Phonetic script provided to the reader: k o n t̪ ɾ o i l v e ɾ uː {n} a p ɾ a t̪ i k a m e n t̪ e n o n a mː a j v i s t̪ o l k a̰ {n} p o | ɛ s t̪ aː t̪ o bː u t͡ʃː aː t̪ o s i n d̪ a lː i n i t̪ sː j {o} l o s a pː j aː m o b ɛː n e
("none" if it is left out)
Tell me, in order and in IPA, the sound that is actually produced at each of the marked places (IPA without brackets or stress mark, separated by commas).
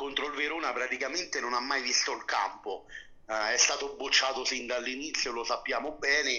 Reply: n, m, o